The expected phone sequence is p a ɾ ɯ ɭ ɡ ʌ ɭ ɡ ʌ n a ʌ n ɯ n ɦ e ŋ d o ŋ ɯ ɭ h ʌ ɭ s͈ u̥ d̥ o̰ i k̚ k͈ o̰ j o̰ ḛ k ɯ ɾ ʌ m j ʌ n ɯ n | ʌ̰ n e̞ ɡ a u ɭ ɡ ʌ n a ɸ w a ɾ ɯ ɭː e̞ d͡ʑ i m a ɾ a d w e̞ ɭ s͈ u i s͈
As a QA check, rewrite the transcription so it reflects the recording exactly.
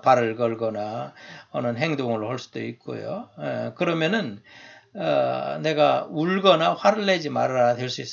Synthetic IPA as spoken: p a ɾ ɯ ɭ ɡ ʌ ɭ ɡ ʌ n a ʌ n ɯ n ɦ e ŋ d o ŋ ɯ ɭ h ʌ ɭ s͈ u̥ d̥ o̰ i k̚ k͈ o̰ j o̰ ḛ k ɯ ɾ ʌ m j ʌ n ɯ n | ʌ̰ n e̞ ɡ a u ɭ ɡ ʌ n a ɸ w a ɾ ɯ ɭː e̞ d͡ʑ i m a ɾ a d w e̞ ɭ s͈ u i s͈